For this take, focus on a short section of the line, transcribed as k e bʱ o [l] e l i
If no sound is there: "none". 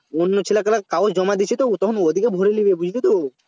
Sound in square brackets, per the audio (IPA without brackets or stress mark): ɾ